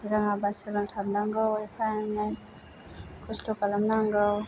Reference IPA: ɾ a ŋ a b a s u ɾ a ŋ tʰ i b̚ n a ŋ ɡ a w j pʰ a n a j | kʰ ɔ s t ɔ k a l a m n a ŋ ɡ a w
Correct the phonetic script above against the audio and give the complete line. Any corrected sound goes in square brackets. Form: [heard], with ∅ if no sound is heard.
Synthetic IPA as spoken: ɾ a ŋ a b a s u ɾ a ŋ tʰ [a] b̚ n a ŋ ɡ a w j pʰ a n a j | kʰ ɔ s t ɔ k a l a m n a ŋ ɡ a w